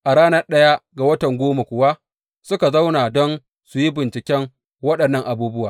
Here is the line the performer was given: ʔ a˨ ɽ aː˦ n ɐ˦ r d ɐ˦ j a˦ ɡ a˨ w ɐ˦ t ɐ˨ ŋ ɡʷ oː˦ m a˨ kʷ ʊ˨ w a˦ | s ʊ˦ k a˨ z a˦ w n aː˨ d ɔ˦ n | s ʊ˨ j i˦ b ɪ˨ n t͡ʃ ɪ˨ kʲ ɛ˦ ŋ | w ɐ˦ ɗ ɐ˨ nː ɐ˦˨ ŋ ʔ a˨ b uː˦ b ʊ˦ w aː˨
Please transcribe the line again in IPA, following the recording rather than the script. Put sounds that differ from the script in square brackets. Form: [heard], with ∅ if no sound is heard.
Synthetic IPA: ʔ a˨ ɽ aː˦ n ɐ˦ r [ɗ] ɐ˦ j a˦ ɡ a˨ w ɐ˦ t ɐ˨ ŋ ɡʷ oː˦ m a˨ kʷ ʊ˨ w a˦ | s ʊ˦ k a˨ z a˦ w n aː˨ d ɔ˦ n | s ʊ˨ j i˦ b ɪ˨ n t͡ʃ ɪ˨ kʲ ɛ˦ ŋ | w ɐ˦ ɗ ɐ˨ nː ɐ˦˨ ŋ ʔ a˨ b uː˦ b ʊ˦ w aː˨

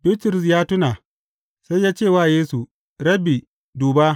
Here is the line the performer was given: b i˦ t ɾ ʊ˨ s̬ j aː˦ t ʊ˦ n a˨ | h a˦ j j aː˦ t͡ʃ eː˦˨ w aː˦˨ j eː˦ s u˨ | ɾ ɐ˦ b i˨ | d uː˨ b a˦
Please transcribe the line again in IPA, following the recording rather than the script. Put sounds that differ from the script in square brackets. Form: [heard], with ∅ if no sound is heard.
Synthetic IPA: b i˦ t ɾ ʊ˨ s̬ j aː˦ t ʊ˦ n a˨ | [s] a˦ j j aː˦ t͡ʃ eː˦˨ w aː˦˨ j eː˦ s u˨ | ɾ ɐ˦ b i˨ | d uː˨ b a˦

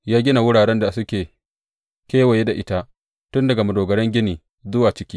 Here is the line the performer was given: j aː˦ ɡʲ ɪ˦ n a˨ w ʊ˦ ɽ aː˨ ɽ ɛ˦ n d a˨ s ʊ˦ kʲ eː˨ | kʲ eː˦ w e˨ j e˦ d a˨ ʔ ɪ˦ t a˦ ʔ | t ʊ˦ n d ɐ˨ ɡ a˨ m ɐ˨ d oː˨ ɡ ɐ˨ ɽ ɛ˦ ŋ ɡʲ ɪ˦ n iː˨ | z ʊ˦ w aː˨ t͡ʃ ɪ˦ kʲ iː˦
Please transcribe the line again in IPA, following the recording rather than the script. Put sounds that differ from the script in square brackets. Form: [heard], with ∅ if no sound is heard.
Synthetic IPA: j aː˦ ɡʲ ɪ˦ n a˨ w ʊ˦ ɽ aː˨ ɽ ɛ˦ n d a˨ s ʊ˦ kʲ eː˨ | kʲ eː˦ w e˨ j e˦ d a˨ ʔ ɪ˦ t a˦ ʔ | t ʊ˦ n d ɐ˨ ɡ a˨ m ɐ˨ d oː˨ ɡ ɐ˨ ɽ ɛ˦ ŋ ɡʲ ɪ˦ n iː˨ | z ʊ˦ w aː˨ t͡ʃ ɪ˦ kʲ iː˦

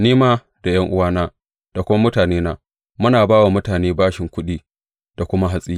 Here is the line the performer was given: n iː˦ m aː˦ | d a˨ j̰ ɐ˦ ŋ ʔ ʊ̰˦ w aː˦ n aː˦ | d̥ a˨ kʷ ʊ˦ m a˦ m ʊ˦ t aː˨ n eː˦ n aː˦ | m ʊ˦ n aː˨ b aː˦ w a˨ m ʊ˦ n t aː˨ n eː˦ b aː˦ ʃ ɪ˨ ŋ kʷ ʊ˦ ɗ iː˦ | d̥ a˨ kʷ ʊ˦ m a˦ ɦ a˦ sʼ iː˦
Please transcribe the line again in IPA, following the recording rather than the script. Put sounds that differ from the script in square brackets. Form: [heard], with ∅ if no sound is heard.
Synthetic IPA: n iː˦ m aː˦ | d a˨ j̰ ɐ˦ ŋ ʔ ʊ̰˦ w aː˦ n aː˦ | d̥ a˨ kʷ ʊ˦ m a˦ m ʊ˦ t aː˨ n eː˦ n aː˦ | m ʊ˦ n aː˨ b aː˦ w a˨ m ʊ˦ [∅] t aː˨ n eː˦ b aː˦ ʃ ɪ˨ ŋ kʷ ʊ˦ ɗ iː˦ | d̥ a˨ kʷ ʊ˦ m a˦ ɦ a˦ sʼ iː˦

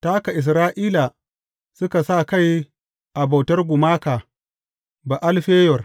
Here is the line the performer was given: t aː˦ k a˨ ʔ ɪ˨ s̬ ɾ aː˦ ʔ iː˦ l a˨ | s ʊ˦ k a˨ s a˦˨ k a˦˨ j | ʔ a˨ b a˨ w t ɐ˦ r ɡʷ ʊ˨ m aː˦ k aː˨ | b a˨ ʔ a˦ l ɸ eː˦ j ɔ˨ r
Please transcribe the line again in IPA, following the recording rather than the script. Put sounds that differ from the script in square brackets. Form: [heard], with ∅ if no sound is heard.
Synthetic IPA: t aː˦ k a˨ ʔ ɪ˨ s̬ ɾ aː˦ ʔ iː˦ l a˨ | s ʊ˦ k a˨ s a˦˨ k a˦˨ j | ʔ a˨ b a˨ w t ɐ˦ r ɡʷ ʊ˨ m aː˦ k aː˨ | b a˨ ʔ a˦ l ɸ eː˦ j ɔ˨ r

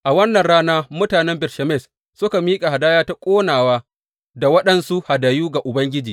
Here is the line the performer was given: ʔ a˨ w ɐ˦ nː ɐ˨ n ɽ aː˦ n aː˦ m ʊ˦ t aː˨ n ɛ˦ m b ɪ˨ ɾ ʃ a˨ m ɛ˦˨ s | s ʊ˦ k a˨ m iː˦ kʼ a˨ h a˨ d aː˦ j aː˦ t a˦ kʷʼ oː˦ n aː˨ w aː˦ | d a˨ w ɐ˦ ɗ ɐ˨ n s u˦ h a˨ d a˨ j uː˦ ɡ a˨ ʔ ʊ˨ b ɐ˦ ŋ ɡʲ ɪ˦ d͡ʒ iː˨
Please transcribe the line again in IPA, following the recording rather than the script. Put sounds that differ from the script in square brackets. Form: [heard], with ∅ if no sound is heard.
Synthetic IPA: ʔ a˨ w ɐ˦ nː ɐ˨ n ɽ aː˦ n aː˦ m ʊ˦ t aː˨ n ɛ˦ m b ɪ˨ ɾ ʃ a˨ m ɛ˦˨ s | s ʊ˦ k a˨ m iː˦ kʼ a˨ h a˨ d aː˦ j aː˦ t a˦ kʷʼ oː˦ n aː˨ w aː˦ | d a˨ w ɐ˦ ɗ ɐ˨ n s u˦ h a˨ d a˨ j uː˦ ɡ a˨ ʔ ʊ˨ b ɐ˦ ŋ ɡʲ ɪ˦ d͡ʒ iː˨

